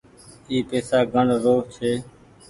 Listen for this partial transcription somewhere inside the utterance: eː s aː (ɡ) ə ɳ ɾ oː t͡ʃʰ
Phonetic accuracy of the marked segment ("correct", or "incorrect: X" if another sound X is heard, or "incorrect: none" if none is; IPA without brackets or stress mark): correct